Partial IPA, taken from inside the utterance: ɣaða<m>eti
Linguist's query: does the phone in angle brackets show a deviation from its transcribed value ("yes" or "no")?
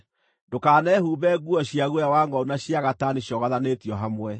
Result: yes